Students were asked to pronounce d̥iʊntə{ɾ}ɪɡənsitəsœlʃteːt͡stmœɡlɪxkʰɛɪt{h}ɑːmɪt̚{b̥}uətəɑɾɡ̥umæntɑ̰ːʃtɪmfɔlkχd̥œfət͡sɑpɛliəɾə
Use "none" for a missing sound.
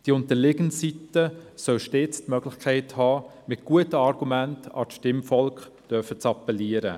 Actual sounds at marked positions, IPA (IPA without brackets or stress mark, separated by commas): l, h, ɡ̥